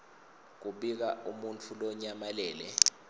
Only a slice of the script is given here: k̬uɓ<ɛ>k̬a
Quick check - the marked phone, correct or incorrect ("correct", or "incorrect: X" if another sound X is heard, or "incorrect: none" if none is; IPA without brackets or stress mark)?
incorrect: i